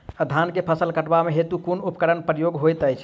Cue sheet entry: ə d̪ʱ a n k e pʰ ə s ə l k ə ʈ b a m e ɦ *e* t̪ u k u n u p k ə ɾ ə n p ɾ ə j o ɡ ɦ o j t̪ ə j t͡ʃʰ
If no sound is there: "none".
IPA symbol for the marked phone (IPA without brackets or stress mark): e